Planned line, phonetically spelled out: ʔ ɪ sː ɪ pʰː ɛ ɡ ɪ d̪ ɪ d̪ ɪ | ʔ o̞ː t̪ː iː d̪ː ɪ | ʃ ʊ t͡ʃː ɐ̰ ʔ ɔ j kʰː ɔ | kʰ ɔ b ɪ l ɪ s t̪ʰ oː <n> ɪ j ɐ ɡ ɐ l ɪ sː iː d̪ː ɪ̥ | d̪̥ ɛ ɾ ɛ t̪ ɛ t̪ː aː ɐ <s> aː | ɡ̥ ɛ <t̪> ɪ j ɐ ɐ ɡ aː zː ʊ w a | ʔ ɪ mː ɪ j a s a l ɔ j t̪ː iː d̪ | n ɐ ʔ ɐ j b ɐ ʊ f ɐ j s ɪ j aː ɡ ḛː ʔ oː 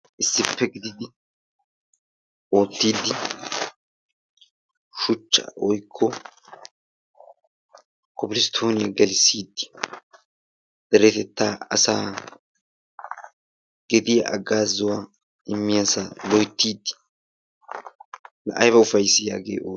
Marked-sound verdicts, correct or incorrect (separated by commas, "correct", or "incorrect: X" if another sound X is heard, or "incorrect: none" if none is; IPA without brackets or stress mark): correct, correct, incorrect: d̪